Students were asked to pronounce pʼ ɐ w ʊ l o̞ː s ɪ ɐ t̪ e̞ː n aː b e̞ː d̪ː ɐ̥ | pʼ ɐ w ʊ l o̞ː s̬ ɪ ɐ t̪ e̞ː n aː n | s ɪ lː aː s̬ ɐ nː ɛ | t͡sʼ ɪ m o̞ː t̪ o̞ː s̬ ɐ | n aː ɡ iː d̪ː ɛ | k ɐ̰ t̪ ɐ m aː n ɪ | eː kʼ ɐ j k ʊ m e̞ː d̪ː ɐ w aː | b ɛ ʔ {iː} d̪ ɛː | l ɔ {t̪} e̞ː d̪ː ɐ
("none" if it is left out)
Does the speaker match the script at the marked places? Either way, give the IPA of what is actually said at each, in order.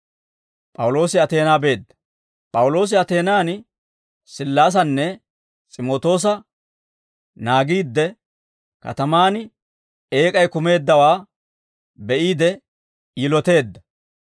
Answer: iː, t̪

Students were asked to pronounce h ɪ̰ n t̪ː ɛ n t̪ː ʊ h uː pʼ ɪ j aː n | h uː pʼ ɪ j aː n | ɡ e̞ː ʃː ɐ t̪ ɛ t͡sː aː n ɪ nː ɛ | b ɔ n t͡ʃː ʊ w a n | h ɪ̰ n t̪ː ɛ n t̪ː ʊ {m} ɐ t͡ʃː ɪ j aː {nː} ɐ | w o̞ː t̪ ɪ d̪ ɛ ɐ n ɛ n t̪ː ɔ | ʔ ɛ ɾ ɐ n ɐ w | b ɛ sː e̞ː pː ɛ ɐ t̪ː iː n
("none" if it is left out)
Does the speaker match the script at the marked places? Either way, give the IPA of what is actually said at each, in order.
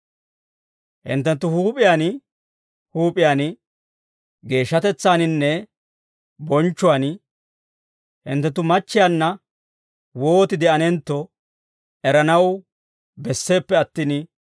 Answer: m, nː

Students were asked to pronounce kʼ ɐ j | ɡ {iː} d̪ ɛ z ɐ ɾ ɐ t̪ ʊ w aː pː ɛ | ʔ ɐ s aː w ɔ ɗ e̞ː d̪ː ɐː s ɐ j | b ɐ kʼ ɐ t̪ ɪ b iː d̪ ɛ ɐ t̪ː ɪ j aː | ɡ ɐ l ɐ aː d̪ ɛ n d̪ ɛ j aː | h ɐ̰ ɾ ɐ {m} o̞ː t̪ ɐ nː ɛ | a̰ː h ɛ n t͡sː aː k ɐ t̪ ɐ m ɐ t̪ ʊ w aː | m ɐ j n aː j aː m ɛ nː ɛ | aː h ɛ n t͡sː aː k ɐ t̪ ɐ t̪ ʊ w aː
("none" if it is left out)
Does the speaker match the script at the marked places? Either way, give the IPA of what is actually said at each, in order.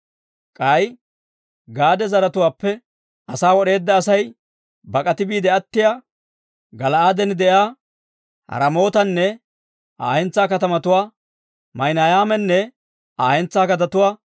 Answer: aː, m

